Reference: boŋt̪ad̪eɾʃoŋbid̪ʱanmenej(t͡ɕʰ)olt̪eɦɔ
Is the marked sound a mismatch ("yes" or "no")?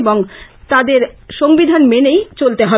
yes